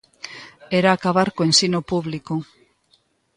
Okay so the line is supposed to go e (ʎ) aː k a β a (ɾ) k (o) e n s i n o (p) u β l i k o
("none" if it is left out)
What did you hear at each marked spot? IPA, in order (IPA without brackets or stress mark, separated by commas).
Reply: ɾ, ɾ, o, p